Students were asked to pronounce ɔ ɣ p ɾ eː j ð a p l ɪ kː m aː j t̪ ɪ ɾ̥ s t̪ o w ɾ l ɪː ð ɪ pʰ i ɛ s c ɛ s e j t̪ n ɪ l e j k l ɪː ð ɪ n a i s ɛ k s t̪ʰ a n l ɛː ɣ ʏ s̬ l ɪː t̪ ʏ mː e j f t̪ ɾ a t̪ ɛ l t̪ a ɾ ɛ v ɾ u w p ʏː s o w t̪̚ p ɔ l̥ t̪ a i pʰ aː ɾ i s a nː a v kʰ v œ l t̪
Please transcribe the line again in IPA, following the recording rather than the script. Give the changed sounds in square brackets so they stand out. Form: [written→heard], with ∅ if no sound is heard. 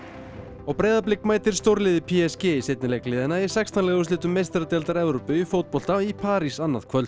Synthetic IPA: ɔ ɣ p ɾ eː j ð a p l ɪ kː m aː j t̪ ɪ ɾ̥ s t̪ o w ɾ l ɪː ð ɪ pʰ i ɛ s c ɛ s e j t̪ n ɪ l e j k l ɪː ð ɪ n a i s ɛ k s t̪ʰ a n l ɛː ɣ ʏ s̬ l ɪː t̪ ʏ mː e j [f→s] t̪ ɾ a t̪ ɛ l t̪ a ɾ ɛ v ɾ [u→o] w p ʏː [s→f] o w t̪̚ p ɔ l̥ t̪ a i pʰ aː ɾ i s a nː a [v→ð] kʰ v œ l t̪

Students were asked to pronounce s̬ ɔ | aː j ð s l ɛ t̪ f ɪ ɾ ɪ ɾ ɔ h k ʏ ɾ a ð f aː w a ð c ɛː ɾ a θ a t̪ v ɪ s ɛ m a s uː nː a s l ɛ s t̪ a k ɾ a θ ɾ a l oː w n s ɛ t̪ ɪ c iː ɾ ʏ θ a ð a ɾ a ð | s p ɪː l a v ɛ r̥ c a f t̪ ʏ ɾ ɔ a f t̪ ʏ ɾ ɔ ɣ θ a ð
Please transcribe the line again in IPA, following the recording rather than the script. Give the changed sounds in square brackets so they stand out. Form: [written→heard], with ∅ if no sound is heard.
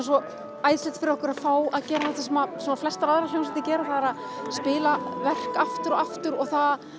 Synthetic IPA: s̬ ɔ | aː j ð s l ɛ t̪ f ɪ ɾ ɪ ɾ ɔ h k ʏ ɾ a ð f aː w a ð c ɛː ɾ a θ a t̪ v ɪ s ɛ m a s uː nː a [s→f] l ɛ s t̪ a [k→∅] ɾ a [θ→ð] ɾ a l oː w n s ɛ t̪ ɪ c [iː→ɛː] ɾ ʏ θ a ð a ɾ a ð | s p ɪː l a v ɛ r̥ [c→k] a f t̪ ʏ ɾ ɔ a f t̪ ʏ ɾ ɔ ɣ θ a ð

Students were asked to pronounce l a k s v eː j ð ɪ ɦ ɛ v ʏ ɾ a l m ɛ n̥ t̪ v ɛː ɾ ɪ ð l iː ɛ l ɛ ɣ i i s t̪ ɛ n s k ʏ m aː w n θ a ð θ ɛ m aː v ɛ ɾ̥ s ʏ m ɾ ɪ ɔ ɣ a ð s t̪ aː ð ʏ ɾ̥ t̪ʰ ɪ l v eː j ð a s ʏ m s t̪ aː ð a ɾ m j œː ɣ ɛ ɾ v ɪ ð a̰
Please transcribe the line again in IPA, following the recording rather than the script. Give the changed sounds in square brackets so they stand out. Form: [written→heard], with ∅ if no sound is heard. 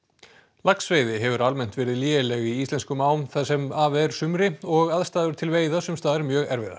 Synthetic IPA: l a k s v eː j ð ɪ ɦ ɛ v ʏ ɾ a l m ɛ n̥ t̪ v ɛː ɾ ɪ ð l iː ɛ l ɛ ɣ i i s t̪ ɛ n s k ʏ m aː w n θ a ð [θ→s] ɛ m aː v ɛ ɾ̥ s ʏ m ɾ ɪ ɔ ɣ a ð s t̪ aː ð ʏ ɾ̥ t̪ʰ ɪ l v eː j ð a s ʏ m s t̪ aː ð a ɾ m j œː ɣ ɛ ɾ v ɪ ð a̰

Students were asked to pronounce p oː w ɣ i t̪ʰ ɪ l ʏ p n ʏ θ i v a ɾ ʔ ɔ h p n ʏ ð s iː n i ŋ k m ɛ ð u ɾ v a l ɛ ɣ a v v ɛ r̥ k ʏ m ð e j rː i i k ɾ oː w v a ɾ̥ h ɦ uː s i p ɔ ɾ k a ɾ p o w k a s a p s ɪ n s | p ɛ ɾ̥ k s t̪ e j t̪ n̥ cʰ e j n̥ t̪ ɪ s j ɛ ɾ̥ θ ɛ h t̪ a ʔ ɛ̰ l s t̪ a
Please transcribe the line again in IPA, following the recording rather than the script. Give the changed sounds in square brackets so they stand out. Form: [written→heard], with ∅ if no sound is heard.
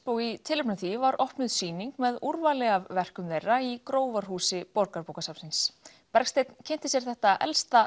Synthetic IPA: p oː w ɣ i t̪ʰ ɪ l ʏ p n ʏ θ i v a ɾ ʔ ɔ h p n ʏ ð s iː n i ŋ k m ɛ ð u ɾ v a l ɛ ɣ a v v ɛ r̥ k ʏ m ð e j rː [i→a] i k ɾ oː w v a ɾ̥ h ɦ uː s [i→ɪ] p ɔ ɾ k a ɾ p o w k a s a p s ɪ n s | p ɛ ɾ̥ k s t̪ e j t̪ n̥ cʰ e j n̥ t̪ ɪ s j ɛ ɾ̥ θ ɛ h t̪ a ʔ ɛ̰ l s t̪ a

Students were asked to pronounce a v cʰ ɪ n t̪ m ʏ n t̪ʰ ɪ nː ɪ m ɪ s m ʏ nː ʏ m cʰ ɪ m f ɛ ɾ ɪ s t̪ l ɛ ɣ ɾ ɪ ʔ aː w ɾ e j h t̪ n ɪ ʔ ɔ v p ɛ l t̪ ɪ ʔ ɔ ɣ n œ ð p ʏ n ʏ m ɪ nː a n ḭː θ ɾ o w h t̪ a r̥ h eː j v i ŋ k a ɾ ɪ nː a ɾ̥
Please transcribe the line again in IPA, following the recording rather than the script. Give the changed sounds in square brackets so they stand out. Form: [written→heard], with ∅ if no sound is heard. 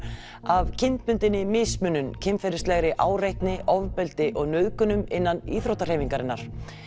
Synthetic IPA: a v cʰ ɪ n t̪ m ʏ n [t̪ʰ→t̪] ɪ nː ɪ m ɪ s m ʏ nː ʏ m cʰ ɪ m f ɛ ɾ ɪ s t̪ l ɛ ɣ ɾ ɪ ʔ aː w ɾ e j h t̪ n ɪ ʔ ɔ v p ɛ l t̪ ɪ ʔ ɔ ɣ n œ ð [p→k] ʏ n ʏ m ɪ nː a n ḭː θ ɾ o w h t̪ a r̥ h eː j v i ŋ k a ɾ ɪ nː a ɾ̥

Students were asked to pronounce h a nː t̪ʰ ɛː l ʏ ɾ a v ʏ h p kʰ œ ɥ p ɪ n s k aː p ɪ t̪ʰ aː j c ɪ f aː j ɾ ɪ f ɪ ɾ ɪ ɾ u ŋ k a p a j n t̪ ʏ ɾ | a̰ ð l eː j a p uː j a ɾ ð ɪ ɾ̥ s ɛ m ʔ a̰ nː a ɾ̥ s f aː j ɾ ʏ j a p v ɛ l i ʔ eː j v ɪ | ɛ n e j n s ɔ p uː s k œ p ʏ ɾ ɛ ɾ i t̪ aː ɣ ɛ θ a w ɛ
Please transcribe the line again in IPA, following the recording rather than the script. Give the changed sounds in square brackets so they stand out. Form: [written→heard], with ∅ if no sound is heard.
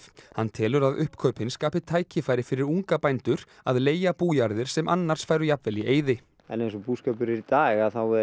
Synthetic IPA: h a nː t̪ʰ ɛː l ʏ ɾ a [v→ð] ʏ h p kʰ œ ɥ p ɪ n s k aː p ɪ t̪ʰ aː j c ɪ f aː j ɾ ɪ f ɪ ɾ ɪ ɾ u ŋ k a p a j n t̪ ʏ ɾ | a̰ ð l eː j a p uː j a ɾ ð ɪ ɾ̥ s ɛ m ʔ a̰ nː a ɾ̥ s f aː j ɾ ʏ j a p v ɛ l i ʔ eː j [v→ð] ɪ | ɛ n e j n s ɔ p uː s k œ p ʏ ɾ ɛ ɾ i t̪ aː ɣ [ɛ→a] θ a w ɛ

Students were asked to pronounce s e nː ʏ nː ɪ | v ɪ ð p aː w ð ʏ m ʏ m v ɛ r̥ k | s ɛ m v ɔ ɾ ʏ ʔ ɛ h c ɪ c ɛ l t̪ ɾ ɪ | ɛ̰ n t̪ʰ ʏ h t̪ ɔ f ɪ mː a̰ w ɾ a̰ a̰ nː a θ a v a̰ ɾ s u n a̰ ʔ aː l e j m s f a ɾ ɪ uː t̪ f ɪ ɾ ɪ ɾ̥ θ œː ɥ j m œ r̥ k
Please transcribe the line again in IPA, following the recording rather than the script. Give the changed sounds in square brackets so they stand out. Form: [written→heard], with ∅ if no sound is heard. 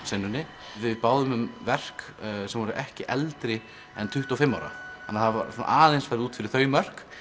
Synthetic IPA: s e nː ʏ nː ɪ | v ɪ ð p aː w ð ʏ m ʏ m v ɛ r̥ k | s ɛ m v ɔ ɾ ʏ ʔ ɛ h c ɪ [c→ʔ] ɛ l t̪ ɾ ɪ | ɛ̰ n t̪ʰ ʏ h t̪ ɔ f ɪ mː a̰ w ɾ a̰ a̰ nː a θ a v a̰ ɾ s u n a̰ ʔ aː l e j [m→n] s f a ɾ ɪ uː t̪ f ɪ ɾ ɪ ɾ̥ θ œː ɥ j m œ r̥ k

